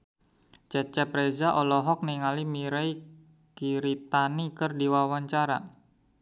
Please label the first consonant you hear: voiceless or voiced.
voiceless